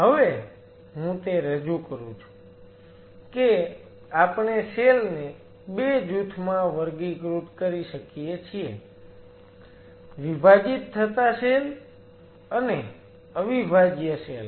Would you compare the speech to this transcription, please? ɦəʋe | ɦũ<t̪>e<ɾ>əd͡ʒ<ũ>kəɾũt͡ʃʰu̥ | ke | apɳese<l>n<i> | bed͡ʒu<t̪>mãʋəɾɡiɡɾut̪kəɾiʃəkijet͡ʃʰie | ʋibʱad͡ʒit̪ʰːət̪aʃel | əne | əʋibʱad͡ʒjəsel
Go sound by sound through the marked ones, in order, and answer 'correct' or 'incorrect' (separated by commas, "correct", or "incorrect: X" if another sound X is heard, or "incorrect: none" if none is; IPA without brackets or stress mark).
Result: correct, correct, incorrect: u, correct, incorrect: e, incorrect: t̪ʰ